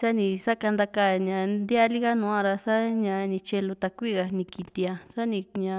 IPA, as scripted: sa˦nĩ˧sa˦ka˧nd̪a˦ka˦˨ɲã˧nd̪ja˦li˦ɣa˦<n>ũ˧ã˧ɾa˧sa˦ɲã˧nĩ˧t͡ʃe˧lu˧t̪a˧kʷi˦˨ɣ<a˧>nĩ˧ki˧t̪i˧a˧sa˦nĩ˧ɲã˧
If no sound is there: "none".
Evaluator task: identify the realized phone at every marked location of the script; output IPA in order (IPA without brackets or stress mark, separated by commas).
n, a˧